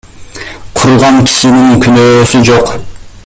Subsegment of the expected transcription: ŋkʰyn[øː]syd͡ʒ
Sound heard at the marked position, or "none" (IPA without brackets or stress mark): øː